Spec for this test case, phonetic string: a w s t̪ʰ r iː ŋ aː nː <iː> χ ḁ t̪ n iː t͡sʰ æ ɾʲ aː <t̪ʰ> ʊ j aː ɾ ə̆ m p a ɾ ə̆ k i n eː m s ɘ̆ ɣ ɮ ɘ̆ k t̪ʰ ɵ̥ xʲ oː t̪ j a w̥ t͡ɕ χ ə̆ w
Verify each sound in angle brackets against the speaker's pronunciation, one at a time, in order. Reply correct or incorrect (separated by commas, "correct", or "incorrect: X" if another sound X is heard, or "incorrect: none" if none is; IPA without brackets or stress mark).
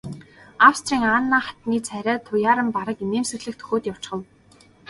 incorrect: aː, correct